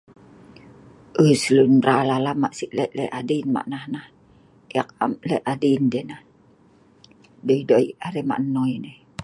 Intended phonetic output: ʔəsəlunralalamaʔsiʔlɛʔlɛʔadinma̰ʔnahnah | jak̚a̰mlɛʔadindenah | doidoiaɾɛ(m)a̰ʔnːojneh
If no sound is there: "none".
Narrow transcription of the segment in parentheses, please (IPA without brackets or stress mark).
m